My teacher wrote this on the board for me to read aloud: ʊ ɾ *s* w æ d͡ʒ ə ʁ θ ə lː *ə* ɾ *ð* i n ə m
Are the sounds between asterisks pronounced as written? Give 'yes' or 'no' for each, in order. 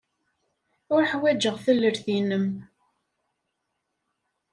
no, yes, no

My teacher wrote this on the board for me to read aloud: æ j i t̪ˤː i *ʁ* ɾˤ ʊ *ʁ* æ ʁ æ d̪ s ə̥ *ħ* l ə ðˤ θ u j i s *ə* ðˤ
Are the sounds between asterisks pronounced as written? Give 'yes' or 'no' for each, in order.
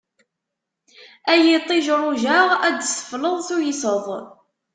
no, no, no, yes

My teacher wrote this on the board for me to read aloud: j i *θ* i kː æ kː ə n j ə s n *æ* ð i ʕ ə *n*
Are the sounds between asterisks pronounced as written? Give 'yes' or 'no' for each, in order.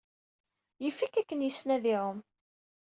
no, yes, no

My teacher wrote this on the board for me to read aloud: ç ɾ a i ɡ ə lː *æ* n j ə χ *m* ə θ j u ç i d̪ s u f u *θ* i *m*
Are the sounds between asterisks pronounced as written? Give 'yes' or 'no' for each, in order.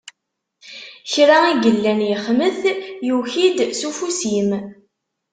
yes, yes, no, yes

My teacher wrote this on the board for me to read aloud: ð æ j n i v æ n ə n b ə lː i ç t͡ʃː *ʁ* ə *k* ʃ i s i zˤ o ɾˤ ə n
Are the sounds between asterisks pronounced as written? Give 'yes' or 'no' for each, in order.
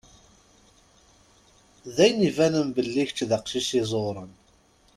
no, no

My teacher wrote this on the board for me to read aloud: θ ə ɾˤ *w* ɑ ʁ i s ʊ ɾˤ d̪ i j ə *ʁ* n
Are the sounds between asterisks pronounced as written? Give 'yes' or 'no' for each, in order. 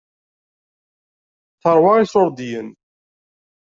yes, no

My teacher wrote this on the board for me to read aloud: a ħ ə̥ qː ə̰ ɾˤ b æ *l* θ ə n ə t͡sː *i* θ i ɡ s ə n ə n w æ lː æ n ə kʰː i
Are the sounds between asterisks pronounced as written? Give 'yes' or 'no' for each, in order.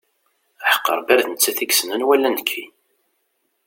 no, no

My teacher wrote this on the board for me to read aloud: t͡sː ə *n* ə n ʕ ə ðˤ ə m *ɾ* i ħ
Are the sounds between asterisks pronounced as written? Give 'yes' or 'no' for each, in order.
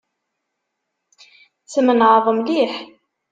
no, no

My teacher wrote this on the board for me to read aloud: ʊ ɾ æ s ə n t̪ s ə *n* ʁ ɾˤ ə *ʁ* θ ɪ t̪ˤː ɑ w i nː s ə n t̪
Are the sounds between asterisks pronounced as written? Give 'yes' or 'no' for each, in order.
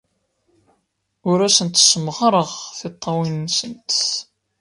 no, yes

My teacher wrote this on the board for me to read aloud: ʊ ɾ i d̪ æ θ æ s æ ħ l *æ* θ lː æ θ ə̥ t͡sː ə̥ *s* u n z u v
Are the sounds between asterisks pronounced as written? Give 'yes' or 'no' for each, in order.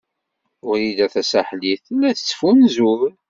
no, no

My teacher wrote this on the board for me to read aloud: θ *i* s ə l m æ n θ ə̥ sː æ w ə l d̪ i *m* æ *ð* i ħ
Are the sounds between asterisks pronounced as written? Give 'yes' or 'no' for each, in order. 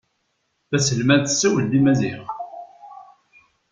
no, yes, no

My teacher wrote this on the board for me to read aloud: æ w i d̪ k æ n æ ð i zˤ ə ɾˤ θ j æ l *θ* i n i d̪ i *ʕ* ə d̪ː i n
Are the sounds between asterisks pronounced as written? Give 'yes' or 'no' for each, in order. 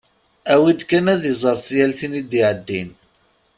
yes, yes

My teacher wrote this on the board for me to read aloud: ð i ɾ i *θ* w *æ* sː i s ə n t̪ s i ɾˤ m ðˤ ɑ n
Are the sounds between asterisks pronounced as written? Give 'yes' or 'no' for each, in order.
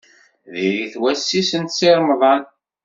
yes, yes

